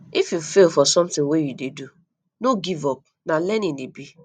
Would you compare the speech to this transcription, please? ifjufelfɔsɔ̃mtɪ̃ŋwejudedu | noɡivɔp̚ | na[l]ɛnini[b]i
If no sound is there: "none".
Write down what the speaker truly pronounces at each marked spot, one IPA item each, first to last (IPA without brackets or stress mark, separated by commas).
l, b